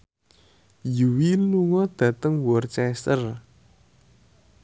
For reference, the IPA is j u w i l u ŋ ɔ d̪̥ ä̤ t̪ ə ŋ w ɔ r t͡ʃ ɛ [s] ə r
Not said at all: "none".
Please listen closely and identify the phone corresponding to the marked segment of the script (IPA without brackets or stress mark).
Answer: s